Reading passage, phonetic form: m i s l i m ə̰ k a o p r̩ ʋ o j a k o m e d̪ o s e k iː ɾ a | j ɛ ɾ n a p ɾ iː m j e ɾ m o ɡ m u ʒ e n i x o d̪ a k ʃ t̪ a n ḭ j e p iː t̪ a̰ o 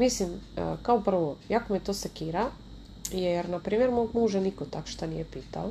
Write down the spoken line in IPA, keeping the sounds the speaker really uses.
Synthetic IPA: m i s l i m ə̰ k a o p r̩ ʋ o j a k o m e t̪ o s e k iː ɾ a | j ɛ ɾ n a p ɾ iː m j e ɾ m o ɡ m u ʒ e n i k o t̪ a k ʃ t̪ a n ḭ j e p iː t̪ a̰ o